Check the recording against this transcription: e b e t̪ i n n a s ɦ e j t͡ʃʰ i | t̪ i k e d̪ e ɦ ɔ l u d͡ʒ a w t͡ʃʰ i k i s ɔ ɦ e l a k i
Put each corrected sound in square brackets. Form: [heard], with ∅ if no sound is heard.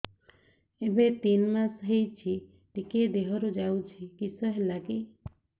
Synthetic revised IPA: e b e t̪ i n [m] a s ɦ e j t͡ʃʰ i | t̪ i k e d̪ e ɦ ɔ [ɾ] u d͡ʒ a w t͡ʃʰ i k i s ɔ ɦ e l a k i

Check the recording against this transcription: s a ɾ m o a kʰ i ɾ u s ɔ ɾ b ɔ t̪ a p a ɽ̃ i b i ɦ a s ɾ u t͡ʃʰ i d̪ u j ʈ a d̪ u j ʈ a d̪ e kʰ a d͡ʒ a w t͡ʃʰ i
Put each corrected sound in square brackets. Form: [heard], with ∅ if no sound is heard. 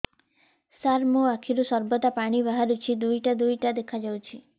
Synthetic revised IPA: s a ɾ m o a kʰ i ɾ u s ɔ ɾ b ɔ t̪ a p a ɽ̃ i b [a] ɦ a [∅] ɾ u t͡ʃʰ i d̪ u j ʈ a d̪ u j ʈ a d̪ e kʰ a d͡ʒ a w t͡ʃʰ i

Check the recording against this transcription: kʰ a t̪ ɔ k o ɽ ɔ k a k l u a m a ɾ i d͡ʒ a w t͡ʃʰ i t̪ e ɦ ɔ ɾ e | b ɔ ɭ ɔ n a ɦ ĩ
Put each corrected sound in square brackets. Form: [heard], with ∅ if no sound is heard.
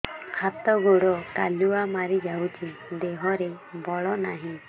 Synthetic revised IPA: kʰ a t̪ ɔ [ɡ] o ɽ ɔ k a [∅] l u a m a ɾ i d͡ʒ a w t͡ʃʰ i [d̪] e ɦ ɔ ɾ e | b ɔ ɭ ɔ n a ɦ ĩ

